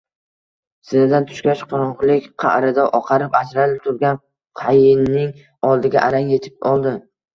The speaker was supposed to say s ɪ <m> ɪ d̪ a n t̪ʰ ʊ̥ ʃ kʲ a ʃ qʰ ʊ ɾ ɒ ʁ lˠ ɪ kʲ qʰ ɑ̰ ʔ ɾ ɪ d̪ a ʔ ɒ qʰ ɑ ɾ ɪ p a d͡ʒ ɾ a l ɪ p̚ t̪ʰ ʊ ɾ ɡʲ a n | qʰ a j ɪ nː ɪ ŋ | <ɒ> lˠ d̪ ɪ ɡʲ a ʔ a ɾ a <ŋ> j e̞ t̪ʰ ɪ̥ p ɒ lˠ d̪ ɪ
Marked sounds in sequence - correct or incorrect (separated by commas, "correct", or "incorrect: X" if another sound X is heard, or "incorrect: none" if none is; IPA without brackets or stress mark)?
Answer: incorrect: n, correct, correct